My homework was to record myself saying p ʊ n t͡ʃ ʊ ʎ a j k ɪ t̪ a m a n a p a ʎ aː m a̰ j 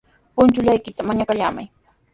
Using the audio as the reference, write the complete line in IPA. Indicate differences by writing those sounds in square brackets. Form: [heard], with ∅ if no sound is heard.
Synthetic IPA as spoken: p ʊ n t͡ʃ ʊ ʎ a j k ɪ t̪ a m a [ɲ] a [k] a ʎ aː m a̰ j